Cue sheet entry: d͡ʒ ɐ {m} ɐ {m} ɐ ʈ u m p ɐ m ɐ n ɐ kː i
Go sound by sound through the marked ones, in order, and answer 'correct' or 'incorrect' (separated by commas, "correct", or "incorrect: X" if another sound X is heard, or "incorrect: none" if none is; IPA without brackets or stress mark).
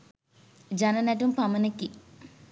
incorrect: n, incorrect: n